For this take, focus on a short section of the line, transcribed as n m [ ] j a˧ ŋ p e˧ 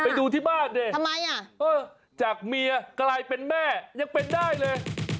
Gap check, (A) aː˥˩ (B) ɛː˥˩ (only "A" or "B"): B